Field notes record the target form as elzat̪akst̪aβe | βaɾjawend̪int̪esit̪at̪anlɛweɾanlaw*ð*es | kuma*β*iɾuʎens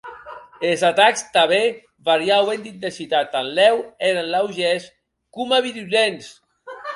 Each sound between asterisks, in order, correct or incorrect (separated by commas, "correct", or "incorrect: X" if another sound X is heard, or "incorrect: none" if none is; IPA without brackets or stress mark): incorrect: ʒ, correct